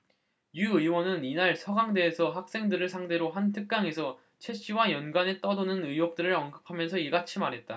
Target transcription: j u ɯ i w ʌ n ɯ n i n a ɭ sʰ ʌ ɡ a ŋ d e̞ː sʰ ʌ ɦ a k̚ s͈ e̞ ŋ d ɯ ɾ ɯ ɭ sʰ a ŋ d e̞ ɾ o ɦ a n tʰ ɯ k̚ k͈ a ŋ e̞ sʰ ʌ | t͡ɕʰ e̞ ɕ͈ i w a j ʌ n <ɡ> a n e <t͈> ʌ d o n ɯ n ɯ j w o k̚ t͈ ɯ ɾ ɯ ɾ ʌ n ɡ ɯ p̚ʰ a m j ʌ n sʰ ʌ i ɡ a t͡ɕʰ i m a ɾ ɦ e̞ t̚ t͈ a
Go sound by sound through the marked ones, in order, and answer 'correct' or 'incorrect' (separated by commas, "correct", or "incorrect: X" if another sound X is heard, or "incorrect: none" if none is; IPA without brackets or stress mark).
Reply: correct, correct